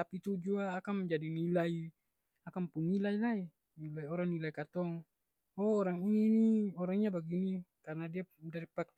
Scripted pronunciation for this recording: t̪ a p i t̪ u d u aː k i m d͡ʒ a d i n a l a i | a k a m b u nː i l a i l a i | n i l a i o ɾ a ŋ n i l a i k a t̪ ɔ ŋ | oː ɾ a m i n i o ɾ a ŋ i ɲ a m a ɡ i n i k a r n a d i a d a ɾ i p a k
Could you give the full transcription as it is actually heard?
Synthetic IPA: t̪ a p i t̪ u d͡ʒ u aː k a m d͡ʒ a d i n i l a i | a k a m p u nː i l a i l a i | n i l a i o ɾ a ŋ n i l a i k a t̪ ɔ ŋ | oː ɾ a ŋ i n i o ɾ a ŋ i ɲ a b a ɡ i n i k a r n a d i a d a ɾ i p a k

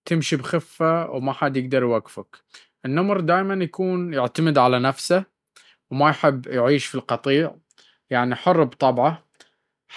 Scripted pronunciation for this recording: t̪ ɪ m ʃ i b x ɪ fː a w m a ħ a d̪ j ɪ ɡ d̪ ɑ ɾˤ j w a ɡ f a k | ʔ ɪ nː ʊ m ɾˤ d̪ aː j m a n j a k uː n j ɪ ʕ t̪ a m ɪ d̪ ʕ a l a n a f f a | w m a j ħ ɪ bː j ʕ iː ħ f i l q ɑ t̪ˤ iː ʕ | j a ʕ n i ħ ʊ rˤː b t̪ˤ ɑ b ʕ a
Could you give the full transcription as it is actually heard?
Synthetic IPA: t̪ ɪ m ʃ i b x ɪ fː a w m a ħ a d̪ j ɪ ɡ d̪ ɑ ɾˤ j w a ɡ f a k | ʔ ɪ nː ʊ m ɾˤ d̪ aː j m a n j a k uː n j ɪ ʕ t̪ a m ɪ d̪ ʕ a l a n a f s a | w m a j ħ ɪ bː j ʕ iː ʃ f i l q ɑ t̪ˤ iː ʕ | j a ʕ n i ħ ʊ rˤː b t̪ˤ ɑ b ʕ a

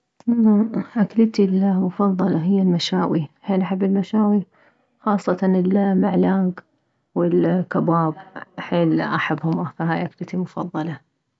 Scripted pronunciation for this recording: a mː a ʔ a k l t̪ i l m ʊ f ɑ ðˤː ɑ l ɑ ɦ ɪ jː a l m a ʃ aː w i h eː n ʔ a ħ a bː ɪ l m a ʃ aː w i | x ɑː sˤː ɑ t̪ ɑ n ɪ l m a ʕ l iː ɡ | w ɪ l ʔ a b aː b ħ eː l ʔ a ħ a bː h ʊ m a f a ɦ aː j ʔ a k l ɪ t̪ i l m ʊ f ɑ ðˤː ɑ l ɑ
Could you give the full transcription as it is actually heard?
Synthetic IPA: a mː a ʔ a k l t̪ i l m ʊ f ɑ ðˤː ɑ l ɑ ɦ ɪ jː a l m a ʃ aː w i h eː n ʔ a ħ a bː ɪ l m a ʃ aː w i | x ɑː sˤː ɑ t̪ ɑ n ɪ l m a ʕ l aː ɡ | w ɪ l k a b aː b ħ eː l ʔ a ħ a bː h ʊ m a f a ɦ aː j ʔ a k l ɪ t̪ i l m ʊ f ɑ ðˤː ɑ l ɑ

